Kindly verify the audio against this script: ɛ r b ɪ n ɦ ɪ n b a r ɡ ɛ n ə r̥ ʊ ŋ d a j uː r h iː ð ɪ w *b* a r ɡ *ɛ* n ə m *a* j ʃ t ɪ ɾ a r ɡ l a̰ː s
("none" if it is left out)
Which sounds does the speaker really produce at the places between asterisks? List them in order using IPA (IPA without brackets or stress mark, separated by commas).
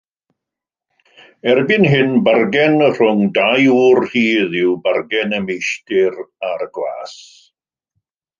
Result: b, ɛ, e